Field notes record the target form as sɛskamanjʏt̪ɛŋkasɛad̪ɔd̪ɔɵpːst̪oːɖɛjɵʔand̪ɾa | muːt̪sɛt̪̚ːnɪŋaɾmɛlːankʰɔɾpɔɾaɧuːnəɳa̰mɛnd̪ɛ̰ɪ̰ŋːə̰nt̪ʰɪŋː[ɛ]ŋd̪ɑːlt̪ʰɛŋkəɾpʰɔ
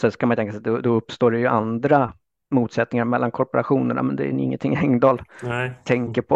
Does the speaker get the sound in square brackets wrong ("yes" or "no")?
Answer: no